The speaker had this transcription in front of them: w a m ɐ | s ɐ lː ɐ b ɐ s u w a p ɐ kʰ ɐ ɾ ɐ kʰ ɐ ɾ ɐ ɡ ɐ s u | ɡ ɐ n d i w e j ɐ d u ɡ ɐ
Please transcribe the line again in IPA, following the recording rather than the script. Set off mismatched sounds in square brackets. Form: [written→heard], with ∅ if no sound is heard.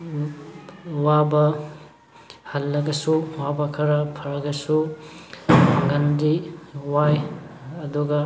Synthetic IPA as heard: w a [m→b] ɐ | [s→h] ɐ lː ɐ [b→ɡ] ɐ s u w a [p→b] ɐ kʰ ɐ ɾ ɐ [kʰ→pʰ] ɐ ɾ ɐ ɡ ɐ s u | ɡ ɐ n d i w [e→a] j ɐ d u ɡ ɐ